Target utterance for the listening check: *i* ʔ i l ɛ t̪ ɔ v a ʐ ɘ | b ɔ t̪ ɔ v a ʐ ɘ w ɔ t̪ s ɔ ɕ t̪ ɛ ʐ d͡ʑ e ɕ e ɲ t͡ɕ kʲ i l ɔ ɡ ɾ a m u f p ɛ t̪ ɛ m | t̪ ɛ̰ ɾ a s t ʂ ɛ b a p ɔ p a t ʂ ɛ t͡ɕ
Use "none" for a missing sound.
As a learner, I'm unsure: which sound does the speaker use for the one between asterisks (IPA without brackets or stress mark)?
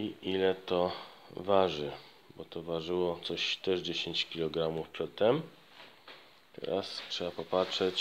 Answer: i